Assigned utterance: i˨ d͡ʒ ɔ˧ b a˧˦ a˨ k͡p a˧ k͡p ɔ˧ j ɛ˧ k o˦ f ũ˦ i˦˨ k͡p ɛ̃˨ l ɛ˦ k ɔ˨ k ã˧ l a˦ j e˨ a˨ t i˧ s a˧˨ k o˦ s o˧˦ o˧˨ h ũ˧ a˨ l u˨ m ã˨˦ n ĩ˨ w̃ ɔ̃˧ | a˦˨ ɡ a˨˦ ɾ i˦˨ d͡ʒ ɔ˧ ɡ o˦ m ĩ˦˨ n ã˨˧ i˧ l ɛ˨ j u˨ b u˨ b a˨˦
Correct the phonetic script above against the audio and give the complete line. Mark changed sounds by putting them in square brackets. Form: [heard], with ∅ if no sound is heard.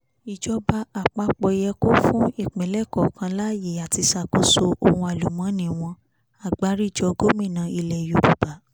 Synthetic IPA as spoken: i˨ d͡ʒ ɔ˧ b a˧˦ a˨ k͡p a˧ k͡p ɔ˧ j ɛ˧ k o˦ f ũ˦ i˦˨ k͡p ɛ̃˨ l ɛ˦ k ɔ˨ k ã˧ l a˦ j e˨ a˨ t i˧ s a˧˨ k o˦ s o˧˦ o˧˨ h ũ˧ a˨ l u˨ m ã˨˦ n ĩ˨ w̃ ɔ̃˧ | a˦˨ [ɡ͡b] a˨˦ ɾ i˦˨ d͡ʒ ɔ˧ ɡ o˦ m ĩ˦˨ n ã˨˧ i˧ l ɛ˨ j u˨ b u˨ b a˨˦